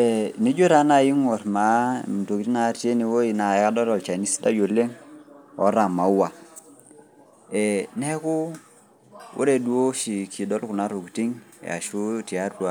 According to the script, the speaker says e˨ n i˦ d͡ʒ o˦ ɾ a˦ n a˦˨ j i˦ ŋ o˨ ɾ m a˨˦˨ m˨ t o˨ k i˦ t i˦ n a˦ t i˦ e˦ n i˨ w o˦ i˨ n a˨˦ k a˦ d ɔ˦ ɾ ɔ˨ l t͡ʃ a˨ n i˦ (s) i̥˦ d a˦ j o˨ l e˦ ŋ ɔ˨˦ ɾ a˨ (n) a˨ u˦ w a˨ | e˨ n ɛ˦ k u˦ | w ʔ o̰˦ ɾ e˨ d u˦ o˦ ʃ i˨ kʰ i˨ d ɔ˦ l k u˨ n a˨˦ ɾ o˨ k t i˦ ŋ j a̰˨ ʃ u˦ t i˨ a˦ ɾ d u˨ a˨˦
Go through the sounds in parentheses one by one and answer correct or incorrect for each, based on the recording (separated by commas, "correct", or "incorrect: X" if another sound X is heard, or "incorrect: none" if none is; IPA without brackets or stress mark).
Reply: correct, incorrect: m